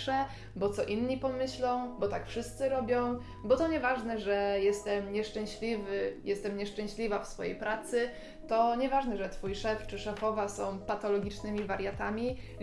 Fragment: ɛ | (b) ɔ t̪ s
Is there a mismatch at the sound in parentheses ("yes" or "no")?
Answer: no